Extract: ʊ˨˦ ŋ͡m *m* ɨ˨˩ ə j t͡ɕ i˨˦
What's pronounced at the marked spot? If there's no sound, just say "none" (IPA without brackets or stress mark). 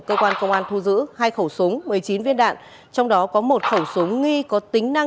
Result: m